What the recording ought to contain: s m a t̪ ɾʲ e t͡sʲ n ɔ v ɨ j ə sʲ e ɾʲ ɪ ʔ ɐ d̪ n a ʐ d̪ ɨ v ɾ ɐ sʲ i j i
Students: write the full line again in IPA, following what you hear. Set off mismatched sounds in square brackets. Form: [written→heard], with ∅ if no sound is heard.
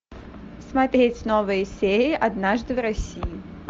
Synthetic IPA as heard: s m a t̪ ɾʲ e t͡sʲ n ɔ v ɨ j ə sʲ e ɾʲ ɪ ʔ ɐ d̪ n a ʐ d̪ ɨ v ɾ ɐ sʲ i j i